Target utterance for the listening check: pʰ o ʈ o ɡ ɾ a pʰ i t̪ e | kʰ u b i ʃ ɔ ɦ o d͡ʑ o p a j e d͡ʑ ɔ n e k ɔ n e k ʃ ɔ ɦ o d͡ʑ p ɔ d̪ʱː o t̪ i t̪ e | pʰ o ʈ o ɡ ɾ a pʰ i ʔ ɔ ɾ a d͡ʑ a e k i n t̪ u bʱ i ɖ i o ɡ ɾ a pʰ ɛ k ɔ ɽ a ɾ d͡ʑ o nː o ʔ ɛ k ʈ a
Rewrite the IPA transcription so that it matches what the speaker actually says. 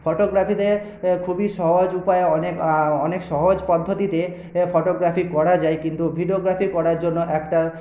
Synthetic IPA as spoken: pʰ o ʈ o ɡ ɾ a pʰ i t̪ e | kʰ u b i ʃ ɔ ɦ o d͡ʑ u p a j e ɔ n e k ɔ n e k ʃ ɔ ɦ o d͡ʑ p ɔ d̪ʱː o t̪ i t̪ e | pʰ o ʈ o ɡ ɾ a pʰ i k ɔ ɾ a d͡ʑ a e k i n t̪ u bʱ i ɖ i o ɡ ɾ a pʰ i k ɔ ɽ a ɾ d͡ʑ o nː o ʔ ɛ k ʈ a